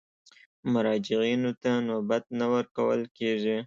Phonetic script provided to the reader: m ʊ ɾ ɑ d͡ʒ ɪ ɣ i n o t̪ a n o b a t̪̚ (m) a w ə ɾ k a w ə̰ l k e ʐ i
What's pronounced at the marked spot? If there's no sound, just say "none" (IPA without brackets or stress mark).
n